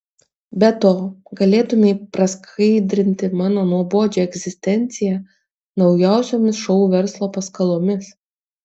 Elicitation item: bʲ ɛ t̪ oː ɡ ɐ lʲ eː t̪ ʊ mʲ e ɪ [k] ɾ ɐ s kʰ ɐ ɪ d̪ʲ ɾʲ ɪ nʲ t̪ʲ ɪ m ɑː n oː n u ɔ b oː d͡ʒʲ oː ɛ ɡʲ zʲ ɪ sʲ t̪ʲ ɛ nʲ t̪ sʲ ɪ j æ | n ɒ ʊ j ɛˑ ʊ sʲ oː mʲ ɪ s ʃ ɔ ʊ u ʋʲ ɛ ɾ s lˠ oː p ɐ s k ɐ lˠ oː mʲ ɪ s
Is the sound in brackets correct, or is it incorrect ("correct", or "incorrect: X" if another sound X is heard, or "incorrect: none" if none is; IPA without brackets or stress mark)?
incorrect: p